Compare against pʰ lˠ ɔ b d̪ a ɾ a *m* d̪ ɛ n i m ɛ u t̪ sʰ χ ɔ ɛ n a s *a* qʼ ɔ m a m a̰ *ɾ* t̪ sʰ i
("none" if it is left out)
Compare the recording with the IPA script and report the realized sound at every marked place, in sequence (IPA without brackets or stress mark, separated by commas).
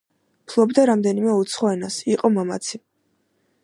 m, i, none